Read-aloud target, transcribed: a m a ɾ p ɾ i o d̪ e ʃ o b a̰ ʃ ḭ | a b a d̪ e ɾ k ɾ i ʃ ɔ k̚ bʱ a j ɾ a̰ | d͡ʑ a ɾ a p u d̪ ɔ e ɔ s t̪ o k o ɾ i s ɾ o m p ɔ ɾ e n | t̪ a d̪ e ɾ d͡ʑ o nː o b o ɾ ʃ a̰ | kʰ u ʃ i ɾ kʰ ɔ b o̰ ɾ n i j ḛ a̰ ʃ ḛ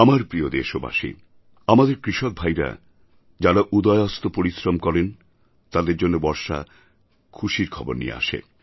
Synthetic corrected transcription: a m a ɾ p ɾ i o d̪ e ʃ o b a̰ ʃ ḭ | a m a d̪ e ɾ k ɾ i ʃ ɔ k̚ bʱ a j ɾ a̰ | d͡ʑ a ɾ a ʔ u d̪ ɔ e ɔ s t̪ o p o ɾ i s ɾ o m k ɔ ɾ e n | t̪ a d̪ e ɾ d͡ʑ o nː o b ɔ ɾ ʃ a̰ | kʰ u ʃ i ɾ kʰ ɔ b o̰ ɾ n i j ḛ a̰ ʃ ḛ